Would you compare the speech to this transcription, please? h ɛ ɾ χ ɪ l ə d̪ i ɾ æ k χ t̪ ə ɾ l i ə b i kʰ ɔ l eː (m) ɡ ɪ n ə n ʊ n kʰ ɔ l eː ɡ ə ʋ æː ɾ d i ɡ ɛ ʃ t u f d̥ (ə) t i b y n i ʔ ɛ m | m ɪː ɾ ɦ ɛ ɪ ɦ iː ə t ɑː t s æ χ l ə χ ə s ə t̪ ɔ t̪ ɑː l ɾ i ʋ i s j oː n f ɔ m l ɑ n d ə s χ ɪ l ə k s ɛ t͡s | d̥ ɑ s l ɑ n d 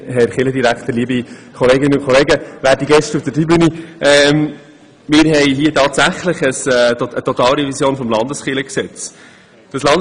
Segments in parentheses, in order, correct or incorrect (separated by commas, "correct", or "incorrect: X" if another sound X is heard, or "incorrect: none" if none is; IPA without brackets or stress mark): incorrect: none, correct